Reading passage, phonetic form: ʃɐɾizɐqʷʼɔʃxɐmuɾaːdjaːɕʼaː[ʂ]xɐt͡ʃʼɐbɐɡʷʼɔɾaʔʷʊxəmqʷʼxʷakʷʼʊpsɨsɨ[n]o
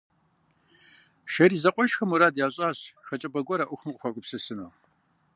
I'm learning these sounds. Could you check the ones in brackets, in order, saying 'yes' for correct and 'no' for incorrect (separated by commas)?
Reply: no, yes